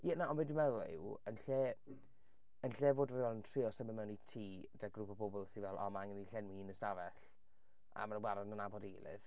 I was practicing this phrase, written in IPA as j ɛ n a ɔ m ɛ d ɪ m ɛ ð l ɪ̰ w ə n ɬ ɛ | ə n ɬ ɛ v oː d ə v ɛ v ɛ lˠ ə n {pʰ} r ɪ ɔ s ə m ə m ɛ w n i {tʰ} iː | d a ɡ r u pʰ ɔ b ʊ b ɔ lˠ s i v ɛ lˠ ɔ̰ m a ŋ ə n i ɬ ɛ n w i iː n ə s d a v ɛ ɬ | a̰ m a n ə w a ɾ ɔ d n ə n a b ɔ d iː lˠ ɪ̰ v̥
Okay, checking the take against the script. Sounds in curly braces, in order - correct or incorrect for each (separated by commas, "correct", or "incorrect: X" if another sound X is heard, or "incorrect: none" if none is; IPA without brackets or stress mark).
incorrect: tʰ, correct